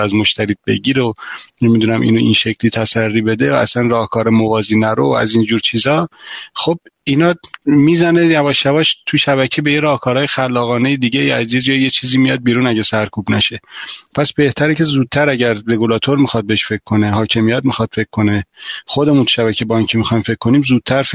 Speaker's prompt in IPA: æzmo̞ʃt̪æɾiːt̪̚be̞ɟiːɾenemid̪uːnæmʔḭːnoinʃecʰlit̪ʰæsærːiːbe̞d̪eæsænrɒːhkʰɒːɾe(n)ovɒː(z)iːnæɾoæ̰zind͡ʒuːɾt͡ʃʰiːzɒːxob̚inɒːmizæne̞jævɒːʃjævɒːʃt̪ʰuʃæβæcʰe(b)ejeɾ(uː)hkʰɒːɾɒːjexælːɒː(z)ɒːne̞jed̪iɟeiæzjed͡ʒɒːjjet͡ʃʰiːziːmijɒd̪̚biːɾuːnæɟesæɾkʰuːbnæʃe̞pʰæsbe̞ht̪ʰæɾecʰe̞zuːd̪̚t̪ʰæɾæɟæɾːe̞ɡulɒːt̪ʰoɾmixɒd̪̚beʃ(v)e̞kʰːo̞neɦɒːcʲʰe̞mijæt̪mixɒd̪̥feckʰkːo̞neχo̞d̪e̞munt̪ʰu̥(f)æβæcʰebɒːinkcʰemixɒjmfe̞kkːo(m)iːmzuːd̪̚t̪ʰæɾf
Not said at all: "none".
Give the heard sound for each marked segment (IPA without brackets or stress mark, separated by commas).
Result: m, z, b, ɒː, ɣ, f, ʃ, n